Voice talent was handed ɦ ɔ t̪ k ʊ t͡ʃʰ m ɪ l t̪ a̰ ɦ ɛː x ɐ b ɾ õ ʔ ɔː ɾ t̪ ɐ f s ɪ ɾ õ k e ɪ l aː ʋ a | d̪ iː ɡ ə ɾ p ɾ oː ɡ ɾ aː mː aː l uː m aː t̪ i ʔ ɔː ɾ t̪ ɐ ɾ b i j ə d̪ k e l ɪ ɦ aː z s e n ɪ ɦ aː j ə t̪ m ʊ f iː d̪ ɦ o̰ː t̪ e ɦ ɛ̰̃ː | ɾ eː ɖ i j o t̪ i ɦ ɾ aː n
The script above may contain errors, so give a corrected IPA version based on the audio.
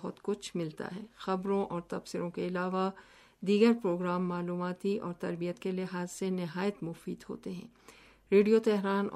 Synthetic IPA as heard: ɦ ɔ t̪ k ʊ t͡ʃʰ m ɪ l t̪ a̰ ɦ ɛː x ɐ b ɾ õ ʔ ɔː ɾ t̪ ɐ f s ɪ ɾ õ k e ɪ l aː ʋ a | d̪ iː ɡ ə ɾ p ɾ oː ɡ ɾ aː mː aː l uː m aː t̪ i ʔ ɔː ɾ t̪ ɐ ɾ b i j ə t̪ k e l ɪ ɦ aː z s e n ɪ ɦ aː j ə t̪ m ʊ f iː d̪ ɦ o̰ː t̪ e ɦ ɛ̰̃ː | ɾ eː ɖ i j o t̪ ɛ ɦ ɾ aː n